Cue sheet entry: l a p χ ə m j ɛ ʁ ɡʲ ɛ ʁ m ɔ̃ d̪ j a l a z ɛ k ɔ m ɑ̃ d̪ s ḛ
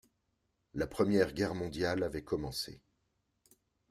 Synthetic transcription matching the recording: l a p χ ə m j ɛ ʁ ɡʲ ɛ ʁ m ɔ̃ d̪ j a l a v ɛ k ɔ m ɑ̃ s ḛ